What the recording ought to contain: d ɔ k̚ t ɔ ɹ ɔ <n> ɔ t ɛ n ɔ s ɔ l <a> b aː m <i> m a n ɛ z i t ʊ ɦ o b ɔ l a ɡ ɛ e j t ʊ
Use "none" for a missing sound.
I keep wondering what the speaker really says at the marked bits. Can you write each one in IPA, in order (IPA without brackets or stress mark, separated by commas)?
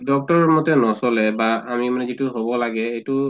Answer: m, ɛ, i